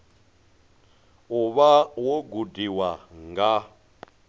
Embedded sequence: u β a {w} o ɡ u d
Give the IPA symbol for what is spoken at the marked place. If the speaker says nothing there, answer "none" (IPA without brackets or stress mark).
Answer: w